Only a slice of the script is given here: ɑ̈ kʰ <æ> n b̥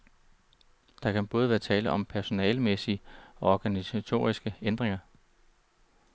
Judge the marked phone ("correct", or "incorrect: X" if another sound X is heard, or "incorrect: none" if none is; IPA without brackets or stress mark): correct